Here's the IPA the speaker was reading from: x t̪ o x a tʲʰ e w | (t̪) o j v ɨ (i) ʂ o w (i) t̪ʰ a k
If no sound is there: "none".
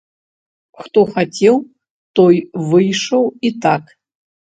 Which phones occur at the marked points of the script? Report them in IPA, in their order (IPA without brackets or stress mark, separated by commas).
t̪, j, i